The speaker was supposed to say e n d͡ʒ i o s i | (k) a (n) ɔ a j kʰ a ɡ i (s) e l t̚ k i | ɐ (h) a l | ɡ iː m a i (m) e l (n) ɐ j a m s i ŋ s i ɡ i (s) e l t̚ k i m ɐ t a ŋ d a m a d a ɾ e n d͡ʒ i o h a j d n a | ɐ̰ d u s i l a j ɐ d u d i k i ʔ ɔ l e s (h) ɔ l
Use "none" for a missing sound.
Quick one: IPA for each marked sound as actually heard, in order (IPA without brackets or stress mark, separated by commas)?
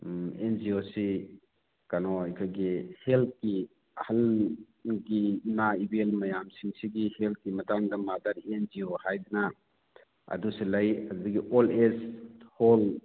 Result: k, n, h, h, b, m, h, h